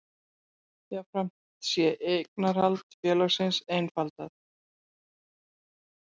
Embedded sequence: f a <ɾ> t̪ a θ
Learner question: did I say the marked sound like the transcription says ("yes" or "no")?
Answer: no